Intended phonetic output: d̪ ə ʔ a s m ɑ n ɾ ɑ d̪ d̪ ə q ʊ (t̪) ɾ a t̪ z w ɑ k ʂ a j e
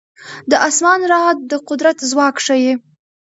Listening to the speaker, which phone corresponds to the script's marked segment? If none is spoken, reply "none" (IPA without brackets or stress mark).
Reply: d̪